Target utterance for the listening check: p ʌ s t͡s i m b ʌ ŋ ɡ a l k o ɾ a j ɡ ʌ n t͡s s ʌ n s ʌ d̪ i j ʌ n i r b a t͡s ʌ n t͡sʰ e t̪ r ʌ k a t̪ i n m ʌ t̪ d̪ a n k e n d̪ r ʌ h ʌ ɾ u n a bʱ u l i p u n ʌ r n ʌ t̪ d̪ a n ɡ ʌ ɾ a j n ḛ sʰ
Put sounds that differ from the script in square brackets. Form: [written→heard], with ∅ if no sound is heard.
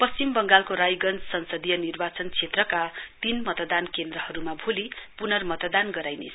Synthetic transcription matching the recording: p ʌ s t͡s i m b ʌ ŋ ɡ a l k o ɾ a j ɡ ʌ n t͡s s ʌ n s ʌ d̪ i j ʌ n i r b a t͡s ʌ n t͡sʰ e t̪ r ʌ k a t̪ i n m ʌ t̪ d̪ a n k e n d̪ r ʌ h ʌ ɾ u [n→m] a bʱ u l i p u n ʌ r [n→m] ʌ t̪ d̪ a n ɡ ʌ ɾ a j n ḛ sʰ